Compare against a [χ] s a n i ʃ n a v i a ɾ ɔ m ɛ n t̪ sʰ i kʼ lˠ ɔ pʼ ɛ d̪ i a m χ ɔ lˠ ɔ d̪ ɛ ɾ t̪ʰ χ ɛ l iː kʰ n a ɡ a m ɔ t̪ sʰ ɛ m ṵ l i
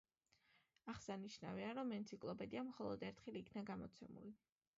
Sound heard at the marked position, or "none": χ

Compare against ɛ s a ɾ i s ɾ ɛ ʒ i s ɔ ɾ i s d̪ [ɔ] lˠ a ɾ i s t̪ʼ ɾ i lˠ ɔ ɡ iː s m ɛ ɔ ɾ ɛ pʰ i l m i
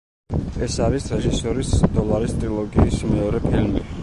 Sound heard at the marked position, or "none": ɔ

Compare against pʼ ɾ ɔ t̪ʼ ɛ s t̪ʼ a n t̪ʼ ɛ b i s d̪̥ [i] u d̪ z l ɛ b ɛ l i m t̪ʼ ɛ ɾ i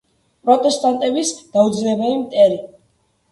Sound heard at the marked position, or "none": a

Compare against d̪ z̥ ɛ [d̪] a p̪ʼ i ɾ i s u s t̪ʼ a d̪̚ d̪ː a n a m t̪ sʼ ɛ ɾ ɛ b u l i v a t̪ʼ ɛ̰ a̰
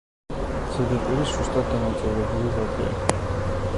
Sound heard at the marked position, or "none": d̪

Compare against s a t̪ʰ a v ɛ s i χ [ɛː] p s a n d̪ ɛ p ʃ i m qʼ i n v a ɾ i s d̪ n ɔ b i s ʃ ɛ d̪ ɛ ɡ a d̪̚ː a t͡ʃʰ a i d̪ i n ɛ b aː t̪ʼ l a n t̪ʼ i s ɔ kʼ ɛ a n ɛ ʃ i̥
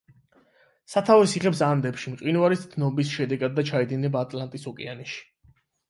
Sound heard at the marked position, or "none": ɛ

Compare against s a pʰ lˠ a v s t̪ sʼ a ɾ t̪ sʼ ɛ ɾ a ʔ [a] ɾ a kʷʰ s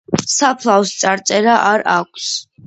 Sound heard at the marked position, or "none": a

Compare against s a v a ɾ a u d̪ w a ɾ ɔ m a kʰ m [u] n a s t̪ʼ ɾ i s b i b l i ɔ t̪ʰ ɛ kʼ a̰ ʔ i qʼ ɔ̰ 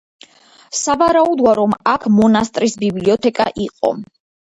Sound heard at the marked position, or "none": ɔ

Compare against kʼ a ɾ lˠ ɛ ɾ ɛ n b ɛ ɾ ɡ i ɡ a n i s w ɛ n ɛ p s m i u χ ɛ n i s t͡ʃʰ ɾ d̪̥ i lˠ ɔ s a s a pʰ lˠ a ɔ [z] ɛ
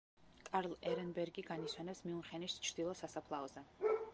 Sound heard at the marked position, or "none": z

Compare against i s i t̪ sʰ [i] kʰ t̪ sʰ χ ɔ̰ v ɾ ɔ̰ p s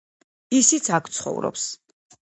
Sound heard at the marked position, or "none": a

